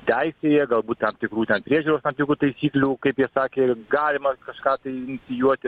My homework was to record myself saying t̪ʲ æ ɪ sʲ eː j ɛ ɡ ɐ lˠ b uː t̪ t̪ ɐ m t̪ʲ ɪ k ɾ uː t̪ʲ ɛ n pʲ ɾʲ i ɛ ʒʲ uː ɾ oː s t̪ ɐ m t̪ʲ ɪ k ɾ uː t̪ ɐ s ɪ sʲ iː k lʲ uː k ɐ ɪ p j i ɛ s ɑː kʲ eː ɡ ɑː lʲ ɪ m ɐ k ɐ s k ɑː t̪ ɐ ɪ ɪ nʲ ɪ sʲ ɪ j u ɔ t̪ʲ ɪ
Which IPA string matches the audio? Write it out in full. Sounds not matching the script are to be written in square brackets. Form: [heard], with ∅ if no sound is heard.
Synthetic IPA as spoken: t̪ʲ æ ɪ sʲ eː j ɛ ɡ ɐ lˠ b uː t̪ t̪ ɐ m t̪ʲ ɪ k ɾ uː t̪ʲ ɛ n pʲ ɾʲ i ɛ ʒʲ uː ɾ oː s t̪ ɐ m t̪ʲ ɪ k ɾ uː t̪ ɐ [∅] ɪ sʲ iː k lʲ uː k ɐ ɪ p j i ɛ s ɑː kʲ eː ɡ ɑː lʲ ɪ m ɐ k ɐ [ʃ] k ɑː t̪ ɐ ɪ ɪ nʲ ɪ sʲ ɪ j u ɔ t̪ʲ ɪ